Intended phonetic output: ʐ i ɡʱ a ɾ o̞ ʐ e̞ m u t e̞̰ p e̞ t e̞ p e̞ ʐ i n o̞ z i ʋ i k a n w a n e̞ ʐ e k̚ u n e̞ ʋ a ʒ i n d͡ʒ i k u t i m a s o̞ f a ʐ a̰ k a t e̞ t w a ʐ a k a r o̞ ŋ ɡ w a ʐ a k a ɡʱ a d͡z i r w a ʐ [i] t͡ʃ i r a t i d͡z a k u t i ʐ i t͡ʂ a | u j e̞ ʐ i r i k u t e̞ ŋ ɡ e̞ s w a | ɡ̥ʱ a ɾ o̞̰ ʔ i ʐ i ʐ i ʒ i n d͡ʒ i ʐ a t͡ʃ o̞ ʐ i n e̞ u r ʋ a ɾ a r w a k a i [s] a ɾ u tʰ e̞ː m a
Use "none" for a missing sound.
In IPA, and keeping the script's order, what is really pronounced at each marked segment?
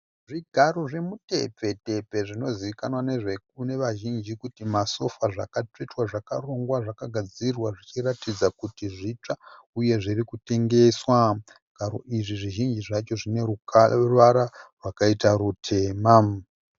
i, t

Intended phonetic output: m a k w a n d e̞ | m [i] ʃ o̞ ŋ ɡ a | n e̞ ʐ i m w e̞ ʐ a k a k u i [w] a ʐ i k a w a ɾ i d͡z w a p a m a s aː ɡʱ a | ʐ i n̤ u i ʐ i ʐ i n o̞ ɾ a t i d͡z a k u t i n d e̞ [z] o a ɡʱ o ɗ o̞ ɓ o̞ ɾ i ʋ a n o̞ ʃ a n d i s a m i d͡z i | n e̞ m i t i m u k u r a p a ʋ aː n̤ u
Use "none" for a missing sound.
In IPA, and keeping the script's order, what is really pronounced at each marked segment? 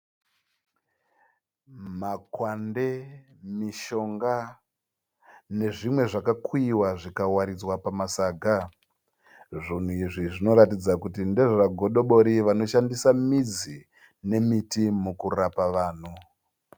i, w, ʐ

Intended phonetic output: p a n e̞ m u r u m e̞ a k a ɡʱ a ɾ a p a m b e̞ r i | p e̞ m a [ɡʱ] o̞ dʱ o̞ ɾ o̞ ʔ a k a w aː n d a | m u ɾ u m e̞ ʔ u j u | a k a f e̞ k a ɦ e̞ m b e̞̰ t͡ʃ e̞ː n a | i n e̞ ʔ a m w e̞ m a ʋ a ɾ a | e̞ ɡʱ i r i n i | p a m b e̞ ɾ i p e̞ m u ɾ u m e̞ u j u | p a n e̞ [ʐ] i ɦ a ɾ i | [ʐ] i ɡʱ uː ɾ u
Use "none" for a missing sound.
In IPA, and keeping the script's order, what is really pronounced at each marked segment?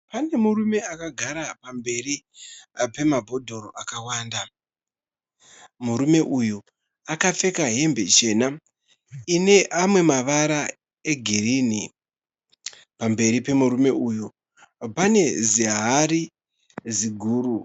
bʱ, z, z

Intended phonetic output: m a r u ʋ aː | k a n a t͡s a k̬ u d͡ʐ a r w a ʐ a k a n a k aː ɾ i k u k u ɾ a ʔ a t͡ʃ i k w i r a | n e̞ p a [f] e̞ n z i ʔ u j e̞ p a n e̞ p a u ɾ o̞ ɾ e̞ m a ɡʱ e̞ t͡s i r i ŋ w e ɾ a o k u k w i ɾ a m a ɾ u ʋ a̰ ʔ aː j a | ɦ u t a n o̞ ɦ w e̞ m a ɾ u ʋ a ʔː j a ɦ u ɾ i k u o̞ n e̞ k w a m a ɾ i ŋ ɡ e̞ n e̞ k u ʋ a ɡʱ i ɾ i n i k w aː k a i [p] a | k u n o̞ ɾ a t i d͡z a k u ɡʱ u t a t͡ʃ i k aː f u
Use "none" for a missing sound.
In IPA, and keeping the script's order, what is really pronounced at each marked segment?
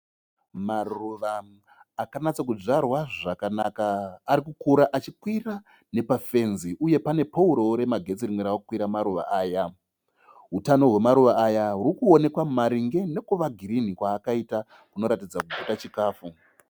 f, t

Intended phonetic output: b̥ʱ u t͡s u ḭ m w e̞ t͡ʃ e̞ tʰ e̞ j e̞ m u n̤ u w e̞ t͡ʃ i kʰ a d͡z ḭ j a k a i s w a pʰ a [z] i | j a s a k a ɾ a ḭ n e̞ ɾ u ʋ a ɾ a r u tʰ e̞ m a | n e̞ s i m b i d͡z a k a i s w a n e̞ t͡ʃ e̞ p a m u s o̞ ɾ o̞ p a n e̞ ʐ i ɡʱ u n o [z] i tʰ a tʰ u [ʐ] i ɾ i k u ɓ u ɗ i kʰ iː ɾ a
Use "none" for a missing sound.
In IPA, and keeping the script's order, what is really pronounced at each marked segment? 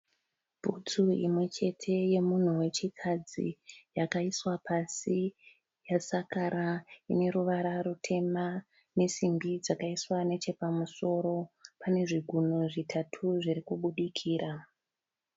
s, ʐ, ʐ

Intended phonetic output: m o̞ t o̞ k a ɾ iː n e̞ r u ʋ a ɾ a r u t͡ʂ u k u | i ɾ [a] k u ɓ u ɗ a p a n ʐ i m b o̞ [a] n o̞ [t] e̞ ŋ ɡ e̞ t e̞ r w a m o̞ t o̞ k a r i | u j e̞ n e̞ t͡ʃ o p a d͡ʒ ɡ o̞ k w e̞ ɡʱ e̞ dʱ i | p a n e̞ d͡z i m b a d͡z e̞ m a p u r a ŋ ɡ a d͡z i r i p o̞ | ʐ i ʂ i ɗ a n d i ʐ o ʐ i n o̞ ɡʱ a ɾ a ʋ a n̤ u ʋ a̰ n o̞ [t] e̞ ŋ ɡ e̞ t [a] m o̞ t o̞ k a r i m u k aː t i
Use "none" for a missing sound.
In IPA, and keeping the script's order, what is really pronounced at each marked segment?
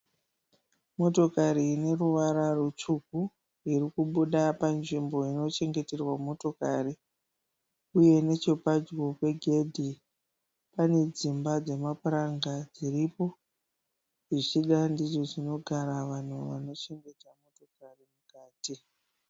i, i, t͡ʃ, t͡ʃ, a

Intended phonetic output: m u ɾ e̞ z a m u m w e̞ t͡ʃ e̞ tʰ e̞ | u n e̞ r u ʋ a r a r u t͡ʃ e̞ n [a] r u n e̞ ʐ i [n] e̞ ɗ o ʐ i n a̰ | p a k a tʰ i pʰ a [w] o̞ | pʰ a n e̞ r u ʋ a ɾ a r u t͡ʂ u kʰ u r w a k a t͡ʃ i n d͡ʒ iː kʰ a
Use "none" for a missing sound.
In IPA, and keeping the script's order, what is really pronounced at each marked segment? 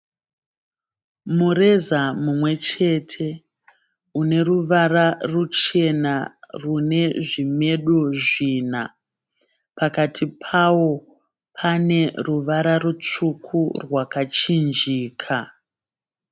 a, m, w

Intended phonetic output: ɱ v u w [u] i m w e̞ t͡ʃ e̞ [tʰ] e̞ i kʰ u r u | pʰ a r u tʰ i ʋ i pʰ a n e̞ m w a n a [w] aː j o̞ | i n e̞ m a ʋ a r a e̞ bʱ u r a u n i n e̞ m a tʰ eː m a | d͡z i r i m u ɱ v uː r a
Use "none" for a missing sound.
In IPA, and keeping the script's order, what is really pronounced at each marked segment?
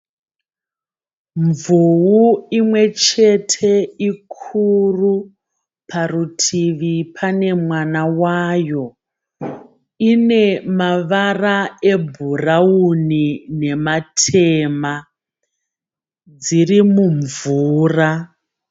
u, tʰ, w

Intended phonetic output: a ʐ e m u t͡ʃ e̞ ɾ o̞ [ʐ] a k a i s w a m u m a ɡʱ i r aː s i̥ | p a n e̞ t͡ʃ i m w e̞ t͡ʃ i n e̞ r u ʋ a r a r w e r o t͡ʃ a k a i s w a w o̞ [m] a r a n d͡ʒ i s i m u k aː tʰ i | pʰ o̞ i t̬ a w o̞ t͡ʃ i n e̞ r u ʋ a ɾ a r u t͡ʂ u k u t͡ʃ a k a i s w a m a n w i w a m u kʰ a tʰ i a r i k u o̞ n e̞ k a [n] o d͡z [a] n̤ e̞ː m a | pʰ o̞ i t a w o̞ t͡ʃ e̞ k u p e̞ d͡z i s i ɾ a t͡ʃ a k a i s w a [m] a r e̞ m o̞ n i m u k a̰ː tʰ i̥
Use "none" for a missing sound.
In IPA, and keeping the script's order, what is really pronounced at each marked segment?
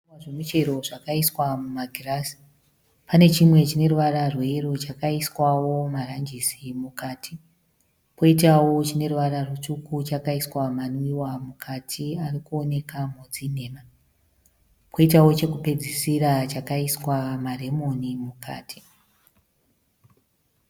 ʐ, m, m, i, m

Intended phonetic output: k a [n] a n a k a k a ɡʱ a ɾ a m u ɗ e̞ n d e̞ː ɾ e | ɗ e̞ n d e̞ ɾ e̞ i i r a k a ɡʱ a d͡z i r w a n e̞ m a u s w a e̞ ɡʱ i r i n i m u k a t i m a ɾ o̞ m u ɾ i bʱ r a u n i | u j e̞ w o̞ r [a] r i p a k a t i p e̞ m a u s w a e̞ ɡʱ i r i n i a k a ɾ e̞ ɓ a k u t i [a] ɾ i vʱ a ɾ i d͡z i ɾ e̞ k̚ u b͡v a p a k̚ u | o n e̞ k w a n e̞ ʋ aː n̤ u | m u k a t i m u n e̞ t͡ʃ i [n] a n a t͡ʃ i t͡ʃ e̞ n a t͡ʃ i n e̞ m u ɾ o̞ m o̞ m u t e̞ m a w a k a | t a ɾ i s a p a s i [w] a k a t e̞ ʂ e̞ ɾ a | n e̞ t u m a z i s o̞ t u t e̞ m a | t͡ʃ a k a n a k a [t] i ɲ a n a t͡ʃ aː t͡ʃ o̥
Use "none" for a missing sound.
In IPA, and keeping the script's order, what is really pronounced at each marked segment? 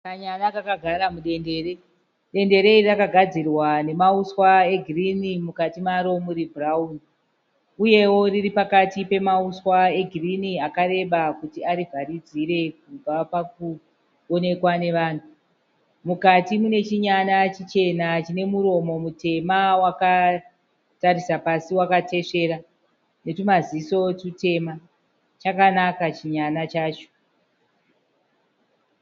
ɲ, i, a, ɲ, w, t͡ʃ

